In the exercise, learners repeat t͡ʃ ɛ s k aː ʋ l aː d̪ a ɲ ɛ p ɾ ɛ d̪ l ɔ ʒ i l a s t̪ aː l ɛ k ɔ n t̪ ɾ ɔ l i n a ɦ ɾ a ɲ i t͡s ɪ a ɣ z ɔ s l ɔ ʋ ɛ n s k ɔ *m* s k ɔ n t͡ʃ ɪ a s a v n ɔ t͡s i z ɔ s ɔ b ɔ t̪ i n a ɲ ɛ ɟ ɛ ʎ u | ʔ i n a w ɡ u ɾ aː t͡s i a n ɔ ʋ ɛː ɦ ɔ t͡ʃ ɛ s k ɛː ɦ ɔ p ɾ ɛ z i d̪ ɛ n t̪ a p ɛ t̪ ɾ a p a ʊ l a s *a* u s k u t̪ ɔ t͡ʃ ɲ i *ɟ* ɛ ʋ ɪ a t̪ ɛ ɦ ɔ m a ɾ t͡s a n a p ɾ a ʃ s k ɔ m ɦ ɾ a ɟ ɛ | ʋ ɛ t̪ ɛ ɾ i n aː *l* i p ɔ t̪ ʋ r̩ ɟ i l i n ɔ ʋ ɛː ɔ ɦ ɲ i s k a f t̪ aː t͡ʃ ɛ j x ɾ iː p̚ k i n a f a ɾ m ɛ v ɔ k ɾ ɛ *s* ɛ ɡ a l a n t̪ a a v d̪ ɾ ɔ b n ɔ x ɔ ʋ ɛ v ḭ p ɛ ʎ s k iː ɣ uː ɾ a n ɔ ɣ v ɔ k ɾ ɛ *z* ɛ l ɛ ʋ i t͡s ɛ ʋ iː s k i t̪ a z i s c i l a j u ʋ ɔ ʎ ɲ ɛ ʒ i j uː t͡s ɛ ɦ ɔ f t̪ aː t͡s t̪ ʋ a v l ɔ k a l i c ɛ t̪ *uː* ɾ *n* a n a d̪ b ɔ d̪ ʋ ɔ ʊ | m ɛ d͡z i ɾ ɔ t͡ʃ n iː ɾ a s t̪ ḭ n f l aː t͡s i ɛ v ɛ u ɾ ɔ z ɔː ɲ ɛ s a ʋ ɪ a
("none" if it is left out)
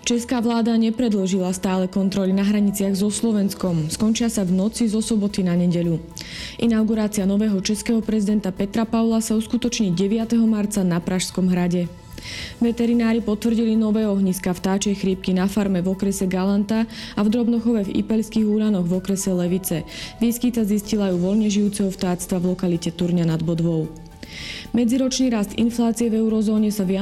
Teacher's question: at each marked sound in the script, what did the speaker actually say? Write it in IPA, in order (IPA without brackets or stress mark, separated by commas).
m, a, ɟ, ɾ, s, s, u, ɲ